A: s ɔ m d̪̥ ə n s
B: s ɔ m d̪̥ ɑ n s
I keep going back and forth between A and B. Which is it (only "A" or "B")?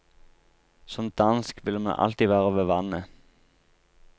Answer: B